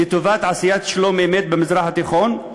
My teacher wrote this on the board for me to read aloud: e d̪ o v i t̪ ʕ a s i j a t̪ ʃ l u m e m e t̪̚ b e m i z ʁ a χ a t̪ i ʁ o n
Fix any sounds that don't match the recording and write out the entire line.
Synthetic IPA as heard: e t̪ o v a t̪ ʕ a s i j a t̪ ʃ l o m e m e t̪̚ b e m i z ʁ a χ a t̪ i χ o n